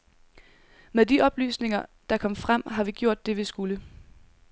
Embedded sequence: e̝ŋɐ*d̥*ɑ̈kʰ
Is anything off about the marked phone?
no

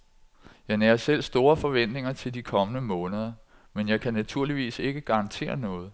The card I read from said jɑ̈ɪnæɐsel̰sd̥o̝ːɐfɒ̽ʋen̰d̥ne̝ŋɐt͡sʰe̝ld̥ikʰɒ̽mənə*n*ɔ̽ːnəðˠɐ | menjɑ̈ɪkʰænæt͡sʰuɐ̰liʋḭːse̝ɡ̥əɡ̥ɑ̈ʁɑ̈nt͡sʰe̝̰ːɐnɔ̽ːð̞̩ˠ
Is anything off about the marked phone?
yes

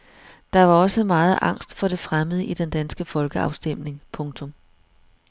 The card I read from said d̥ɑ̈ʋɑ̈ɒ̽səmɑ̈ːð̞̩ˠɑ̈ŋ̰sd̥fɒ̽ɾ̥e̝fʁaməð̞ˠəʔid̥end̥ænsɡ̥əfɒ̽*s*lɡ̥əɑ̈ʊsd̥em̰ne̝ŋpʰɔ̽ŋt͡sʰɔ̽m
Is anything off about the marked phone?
yes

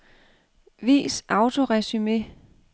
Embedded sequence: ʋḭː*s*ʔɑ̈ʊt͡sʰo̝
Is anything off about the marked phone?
no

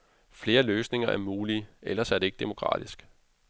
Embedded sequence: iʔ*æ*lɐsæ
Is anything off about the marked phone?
yes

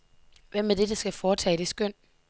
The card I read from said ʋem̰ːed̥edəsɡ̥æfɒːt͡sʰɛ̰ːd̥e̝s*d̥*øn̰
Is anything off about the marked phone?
yes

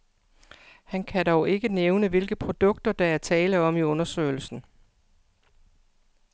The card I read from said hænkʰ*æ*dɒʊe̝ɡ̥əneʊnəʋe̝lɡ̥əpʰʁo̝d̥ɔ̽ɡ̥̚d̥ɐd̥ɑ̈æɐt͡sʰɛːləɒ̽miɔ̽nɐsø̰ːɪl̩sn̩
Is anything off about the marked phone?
no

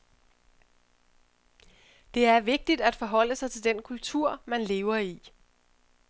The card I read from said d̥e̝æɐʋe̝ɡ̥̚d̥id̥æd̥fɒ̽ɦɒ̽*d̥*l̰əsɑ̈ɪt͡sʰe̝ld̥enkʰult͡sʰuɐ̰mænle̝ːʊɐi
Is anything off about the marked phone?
yes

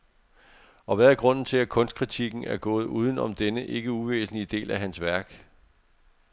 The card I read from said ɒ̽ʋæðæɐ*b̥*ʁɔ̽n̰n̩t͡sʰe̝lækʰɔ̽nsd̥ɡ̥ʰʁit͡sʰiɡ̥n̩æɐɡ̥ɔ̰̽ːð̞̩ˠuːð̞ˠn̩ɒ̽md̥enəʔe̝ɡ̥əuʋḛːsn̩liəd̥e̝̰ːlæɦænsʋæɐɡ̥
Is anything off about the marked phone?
yes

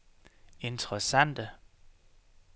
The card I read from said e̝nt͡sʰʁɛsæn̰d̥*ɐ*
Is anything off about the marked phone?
yes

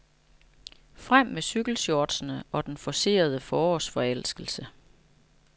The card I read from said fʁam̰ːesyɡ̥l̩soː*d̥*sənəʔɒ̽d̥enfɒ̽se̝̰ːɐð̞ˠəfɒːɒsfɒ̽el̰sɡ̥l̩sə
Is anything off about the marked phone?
no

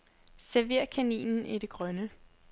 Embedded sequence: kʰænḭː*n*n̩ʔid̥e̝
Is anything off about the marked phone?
no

